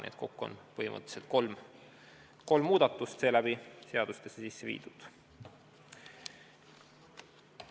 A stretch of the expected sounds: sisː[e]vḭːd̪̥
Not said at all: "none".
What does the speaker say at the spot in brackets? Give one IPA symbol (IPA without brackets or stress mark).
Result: e